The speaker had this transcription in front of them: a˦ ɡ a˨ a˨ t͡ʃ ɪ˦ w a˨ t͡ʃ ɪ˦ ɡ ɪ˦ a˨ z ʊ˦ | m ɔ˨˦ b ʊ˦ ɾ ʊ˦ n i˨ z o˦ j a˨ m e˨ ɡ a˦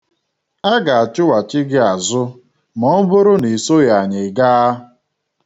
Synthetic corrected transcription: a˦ ɡ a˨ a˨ t͡ʃ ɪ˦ w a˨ t͡ʃ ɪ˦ ɡ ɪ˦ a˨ z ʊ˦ | m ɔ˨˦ b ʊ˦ ɾ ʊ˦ n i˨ s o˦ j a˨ ɲ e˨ ɡ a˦